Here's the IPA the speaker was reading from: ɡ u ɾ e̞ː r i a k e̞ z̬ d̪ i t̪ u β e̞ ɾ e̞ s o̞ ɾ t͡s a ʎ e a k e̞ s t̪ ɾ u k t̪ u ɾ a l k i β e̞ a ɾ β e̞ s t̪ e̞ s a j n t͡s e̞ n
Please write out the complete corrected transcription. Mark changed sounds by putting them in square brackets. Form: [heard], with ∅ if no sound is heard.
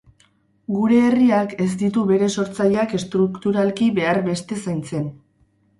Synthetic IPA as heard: ɡ u ɾ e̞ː r i a k e̞ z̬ d̪ i t̪ u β e̞ ɾ e̞ s o̞ ɾ t͡s a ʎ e a k e̞ s t̪ ɾ u k t̪ u ɾ a l k i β e̞ a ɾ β e̞ s t̪ e̞ s a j n t͡s e̞ n